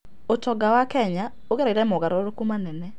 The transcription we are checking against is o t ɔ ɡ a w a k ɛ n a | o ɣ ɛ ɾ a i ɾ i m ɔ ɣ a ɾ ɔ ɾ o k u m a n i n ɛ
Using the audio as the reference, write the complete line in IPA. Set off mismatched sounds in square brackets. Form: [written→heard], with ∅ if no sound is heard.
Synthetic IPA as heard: o t ɔ ɡ a w a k ɛ [n→ɲ] a | o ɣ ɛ ɾ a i ɾ [i→ɛ] m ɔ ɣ a ɾ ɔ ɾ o k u m a n [i→ɛ] n ɛ